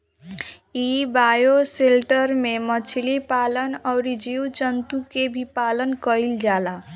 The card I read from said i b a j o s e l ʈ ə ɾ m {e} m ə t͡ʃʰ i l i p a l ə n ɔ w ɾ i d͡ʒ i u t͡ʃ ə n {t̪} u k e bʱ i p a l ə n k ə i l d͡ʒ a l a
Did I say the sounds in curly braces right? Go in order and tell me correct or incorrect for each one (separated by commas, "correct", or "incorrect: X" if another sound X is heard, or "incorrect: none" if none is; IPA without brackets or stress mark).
correct, correct